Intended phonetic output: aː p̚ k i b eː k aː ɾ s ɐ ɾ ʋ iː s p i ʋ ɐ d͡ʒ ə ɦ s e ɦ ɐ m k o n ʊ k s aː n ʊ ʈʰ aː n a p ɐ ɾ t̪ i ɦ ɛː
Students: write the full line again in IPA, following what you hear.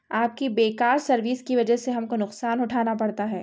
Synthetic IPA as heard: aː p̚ k i b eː k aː ɾ s ɐ ɾ ʋ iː s k i ʋ ɐ d͡ʒ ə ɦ s e ɦ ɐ m k o n ʊ q s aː n ʊ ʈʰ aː n a p ɐ ɽ t̪ a ɦ ɛː

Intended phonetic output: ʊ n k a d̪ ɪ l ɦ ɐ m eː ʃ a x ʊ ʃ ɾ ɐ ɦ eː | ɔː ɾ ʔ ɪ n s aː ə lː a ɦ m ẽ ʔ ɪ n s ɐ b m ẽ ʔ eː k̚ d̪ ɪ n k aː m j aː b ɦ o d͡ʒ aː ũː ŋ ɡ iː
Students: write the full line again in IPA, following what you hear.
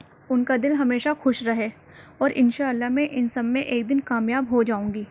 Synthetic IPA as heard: ʊ n k a d̪ ɪ l ɦ ɐ m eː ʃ a x ʊ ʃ ɾ ɐ ɦ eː | ɔː ɾ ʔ ɪ n ʃ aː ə lː a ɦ m ẽ ʔ ɪ n s ɐ b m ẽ ʔ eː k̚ d̪ ɪ n k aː m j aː b ɦ o d͡ʒ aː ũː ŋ ɡ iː

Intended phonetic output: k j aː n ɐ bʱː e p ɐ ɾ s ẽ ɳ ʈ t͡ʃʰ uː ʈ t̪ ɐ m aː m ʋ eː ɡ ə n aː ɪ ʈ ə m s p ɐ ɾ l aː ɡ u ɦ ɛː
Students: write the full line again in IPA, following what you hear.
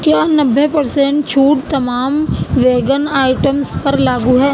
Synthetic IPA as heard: k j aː n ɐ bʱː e p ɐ ɾ s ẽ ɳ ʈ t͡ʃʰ uː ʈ t̪ ɐ m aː m ʋ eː ɡ ə n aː ɪ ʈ ə m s p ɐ ɾ l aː ɡ u ɦ ɛː

